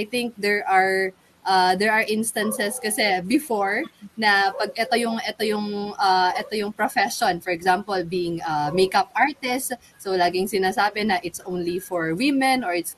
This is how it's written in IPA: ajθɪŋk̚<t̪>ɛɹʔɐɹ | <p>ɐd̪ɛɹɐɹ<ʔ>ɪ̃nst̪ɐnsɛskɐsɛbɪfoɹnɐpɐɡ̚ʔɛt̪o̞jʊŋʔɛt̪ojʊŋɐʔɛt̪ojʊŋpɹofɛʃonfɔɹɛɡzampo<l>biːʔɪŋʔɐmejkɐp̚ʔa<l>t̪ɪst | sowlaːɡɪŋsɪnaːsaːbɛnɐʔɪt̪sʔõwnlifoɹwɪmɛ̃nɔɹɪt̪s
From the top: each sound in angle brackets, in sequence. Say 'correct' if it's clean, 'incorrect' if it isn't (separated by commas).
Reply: incorrect, incorrect, correct, correct, incorrect